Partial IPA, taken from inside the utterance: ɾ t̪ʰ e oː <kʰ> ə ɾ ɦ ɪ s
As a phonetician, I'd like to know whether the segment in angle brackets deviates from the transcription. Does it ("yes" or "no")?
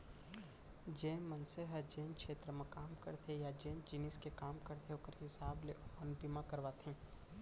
yes